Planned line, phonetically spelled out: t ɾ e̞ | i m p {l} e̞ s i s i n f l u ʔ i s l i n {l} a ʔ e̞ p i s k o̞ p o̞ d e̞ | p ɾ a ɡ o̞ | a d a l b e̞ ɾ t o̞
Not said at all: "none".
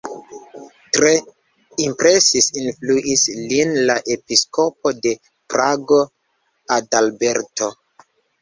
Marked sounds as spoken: ɾ, l

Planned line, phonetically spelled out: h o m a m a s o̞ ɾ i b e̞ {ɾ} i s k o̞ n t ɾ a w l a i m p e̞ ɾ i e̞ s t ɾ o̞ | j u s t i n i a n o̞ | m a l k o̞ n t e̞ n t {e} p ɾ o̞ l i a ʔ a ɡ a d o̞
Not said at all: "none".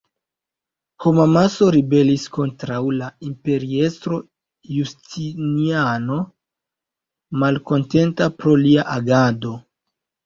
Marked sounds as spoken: l, a

